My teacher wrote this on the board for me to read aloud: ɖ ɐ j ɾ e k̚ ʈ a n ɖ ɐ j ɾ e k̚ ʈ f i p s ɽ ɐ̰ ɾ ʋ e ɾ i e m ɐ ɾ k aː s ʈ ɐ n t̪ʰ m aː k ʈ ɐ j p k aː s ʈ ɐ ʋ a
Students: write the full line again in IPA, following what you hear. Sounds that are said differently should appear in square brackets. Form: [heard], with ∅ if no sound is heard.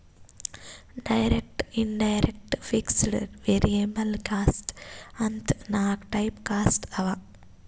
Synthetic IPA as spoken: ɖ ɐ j ɾ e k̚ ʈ [i] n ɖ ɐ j ɾ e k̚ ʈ f i [k] s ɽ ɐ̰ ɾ ʋ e ɾ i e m ɐ [l] k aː s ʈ ɐ n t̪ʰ [n] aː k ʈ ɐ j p k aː s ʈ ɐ ʋ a